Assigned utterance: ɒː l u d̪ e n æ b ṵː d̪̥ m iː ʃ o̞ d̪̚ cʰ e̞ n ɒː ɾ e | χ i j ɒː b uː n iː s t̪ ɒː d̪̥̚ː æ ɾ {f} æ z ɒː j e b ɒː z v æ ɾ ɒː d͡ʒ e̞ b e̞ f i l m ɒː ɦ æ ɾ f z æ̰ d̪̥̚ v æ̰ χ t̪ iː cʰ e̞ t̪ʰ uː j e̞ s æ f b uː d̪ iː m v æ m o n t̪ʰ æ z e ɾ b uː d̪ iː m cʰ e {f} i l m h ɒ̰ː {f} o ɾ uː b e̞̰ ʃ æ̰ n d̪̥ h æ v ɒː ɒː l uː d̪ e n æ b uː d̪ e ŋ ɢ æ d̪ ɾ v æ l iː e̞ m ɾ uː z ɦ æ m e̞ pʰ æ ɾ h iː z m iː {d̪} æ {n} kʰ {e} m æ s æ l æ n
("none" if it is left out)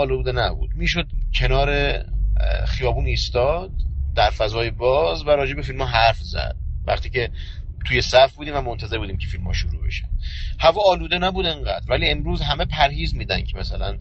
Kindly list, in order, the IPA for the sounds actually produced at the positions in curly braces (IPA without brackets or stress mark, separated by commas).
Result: f, f, ʃ, d̪, n, e